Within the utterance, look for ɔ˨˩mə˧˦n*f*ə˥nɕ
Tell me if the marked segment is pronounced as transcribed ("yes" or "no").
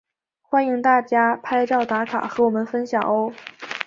yes